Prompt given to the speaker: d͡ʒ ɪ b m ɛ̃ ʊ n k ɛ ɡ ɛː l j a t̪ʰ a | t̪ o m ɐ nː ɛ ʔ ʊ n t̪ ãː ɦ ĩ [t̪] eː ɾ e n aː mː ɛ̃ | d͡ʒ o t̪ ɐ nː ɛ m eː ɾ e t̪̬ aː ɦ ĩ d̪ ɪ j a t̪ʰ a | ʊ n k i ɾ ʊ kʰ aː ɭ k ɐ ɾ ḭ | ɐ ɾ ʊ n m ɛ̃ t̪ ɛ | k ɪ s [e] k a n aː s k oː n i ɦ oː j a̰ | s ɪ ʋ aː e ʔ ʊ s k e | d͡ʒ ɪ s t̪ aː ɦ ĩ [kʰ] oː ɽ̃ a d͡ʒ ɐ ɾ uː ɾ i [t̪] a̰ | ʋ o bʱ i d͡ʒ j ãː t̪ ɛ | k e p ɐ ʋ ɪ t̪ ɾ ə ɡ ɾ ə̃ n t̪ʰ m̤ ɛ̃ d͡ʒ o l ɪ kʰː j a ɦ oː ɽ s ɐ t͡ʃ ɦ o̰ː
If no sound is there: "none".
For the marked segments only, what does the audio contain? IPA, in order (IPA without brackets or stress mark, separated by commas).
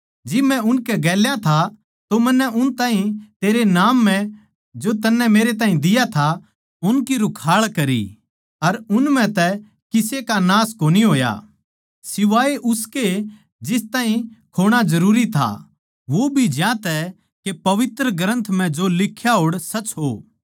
t̪, e, kʰ, t̪ʰ